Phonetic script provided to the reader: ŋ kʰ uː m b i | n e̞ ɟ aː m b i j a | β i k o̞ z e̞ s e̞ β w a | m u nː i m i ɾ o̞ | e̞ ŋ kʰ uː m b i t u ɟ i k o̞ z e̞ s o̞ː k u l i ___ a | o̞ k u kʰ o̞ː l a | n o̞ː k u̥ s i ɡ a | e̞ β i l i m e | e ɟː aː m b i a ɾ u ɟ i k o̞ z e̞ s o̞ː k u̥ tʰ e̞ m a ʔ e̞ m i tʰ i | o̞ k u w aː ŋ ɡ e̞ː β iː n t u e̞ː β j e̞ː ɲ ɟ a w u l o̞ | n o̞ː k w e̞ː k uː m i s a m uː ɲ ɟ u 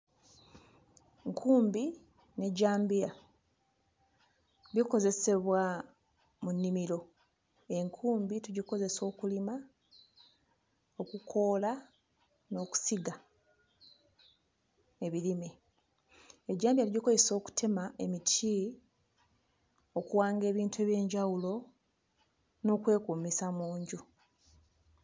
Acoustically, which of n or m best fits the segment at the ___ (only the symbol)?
m